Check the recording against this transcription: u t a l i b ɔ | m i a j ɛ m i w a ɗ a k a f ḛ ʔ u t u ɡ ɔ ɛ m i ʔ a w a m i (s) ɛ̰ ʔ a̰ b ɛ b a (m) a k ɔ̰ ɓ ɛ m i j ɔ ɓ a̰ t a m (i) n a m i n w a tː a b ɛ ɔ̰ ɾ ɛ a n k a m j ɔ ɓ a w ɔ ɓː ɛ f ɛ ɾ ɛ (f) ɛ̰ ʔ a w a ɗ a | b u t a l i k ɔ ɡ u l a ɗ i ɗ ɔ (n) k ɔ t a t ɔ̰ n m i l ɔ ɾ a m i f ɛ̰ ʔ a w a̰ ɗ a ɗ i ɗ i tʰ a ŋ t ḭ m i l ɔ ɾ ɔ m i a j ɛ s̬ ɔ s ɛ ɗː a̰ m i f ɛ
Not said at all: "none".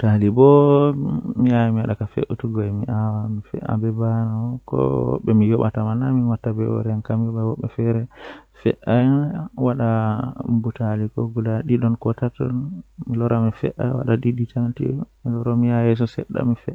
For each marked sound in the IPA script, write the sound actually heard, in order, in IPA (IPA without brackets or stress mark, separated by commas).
f, n, a, f, n